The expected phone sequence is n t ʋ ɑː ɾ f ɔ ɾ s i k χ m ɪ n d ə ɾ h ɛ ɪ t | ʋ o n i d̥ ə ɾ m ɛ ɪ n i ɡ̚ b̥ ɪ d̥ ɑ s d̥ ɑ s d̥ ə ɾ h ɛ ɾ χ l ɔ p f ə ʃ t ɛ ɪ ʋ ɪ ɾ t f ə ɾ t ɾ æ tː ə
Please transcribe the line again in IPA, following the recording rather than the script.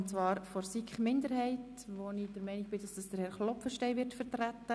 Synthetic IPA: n t͡s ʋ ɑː ɾ f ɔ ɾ s i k χ m ɪ n d ə ɾ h ɛ ɪ t | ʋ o n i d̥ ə ɾ m ɛ ɪ n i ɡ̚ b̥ ɪ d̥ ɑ s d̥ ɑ s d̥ ə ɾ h ɛ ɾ χ l ɔ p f ə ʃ t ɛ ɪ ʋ ɪ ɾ t f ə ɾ t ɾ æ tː ə